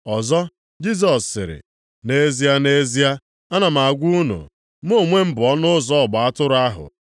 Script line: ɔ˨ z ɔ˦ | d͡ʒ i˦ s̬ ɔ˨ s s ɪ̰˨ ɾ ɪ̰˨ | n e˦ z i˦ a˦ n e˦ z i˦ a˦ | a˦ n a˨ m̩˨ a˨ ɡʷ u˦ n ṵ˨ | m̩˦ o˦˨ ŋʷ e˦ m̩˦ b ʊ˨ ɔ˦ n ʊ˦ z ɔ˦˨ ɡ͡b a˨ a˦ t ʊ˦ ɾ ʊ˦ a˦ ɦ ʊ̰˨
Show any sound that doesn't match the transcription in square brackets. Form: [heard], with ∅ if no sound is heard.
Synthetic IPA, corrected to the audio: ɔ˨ z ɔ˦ | d͡ʒ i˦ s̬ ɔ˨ s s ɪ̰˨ ɾ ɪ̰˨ | n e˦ z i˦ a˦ n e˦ z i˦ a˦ | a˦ n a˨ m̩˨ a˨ ɡʷ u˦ n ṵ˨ | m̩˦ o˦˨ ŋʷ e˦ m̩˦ b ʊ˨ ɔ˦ n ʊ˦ z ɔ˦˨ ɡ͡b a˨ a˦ t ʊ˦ ɾ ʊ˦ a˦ ɦ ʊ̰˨